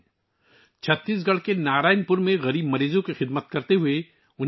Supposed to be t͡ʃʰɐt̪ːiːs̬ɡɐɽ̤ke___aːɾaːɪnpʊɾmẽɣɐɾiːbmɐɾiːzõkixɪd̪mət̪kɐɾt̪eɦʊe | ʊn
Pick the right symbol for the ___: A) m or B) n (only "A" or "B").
B